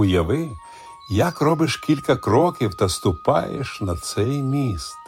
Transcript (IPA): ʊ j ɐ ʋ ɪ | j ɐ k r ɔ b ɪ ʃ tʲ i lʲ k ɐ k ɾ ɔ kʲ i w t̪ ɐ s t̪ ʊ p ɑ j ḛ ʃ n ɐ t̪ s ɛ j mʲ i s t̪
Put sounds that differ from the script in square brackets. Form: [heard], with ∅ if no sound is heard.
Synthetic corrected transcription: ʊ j ɐ ʋ ɪ | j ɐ k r ɔ b ɪ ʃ [kʲ] i lʲ k ɐ k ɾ ɔ kʲ i w t̪ ɐ s t̪ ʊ p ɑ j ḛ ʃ n ɐ t̪ s ɛ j mʲ i s t̪